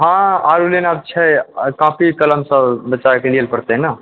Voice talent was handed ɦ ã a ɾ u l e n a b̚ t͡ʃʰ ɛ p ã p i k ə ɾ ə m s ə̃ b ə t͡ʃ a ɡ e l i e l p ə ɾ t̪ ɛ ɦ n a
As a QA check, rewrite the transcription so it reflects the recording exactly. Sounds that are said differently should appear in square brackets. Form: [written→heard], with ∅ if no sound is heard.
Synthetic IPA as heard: ɦ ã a ɾ u l e n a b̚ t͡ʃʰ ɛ [p→k] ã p i k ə [ɾ→l] ə m s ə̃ b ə t͡ʃ a [ɡ→k] e l i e l p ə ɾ t̪ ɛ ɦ n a